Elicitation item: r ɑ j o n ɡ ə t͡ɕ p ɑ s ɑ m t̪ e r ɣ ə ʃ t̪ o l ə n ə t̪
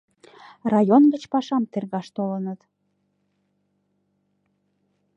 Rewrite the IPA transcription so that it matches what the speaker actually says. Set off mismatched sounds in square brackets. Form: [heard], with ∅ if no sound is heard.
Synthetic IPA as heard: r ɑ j o n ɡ ə t͡ɕ p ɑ [ʃ] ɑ m t̪ e r ɣ [ɑ] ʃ t̪ o l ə n ə t̪